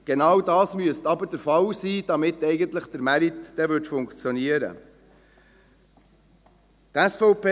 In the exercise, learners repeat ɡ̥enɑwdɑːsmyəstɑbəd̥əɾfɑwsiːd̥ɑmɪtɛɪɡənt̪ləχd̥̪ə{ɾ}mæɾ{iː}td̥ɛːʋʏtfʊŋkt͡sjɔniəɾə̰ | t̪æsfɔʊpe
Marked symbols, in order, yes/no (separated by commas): yes, no